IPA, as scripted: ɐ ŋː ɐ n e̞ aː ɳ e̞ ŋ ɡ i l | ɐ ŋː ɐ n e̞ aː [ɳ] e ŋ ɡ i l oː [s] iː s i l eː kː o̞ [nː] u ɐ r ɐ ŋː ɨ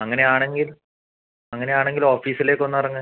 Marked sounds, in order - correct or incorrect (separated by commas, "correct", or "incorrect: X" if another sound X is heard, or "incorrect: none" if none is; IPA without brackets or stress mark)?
correct, incorrect: f, correct